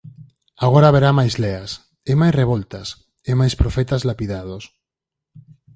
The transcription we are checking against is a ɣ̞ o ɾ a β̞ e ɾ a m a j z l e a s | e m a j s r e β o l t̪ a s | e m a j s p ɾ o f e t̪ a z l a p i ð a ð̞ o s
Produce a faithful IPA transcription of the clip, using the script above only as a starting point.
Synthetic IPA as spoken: a ɣ̞ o ɾ a β̞ e ɾ a m a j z l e a s | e m a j s r e β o l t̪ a s | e m a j s p ɾ o f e t̪ a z l a p i ð a ð̞ o s

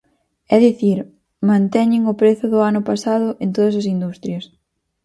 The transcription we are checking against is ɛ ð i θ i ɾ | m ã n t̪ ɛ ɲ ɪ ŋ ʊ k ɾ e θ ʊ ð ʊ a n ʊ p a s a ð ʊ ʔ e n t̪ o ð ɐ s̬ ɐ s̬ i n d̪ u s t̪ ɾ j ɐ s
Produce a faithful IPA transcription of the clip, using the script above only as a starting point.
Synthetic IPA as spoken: ɛ ð i θ i ɾ | m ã n t̪ ɛ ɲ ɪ ŋ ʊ p ɾ e θ ʊ ð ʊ a n ʊ p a s a ð ʊ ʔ e n t̪ o ð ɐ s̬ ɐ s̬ i n d̪ u s t̪ ɾ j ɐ s

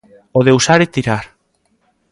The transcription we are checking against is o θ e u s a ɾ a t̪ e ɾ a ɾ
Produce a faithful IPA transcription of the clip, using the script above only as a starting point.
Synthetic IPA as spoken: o ð e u s a ɾ e t̪ i ɾ a ɾ

